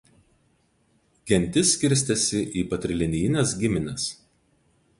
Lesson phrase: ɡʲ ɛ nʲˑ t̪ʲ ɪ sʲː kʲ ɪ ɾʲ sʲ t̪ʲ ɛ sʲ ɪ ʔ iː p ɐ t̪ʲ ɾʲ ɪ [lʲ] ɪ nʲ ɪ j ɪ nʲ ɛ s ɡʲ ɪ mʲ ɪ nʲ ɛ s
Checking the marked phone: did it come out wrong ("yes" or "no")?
no